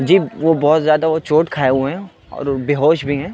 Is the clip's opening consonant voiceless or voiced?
voiced